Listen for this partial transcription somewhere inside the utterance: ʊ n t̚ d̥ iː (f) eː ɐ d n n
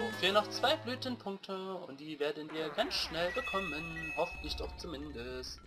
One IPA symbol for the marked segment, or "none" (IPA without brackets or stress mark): v